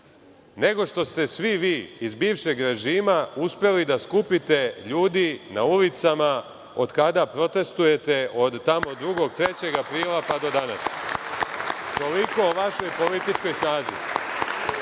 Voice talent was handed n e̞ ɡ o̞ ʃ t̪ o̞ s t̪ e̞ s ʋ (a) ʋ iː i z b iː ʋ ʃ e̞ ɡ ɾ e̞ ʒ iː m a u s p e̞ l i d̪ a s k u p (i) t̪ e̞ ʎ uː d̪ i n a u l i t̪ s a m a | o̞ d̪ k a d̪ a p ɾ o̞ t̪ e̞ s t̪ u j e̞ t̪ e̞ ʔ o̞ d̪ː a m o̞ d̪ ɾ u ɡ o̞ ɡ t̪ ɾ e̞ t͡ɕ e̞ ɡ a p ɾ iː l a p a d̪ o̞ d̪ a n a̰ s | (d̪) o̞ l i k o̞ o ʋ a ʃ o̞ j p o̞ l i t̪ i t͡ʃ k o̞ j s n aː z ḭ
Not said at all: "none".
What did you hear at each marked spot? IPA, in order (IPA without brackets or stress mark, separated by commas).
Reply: i, i, t̪